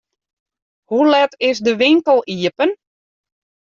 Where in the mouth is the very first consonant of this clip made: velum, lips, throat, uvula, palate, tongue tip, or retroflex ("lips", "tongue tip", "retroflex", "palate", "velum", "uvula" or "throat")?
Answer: throat